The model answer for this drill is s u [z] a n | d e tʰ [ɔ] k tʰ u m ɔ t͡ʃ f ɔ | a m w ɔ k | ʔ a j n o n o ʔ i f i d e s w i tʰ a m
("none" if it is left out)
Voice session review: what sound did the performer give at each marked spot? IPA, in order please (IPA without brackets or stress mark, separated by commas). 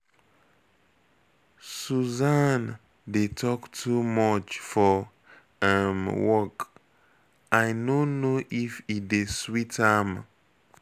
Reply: z, ɔ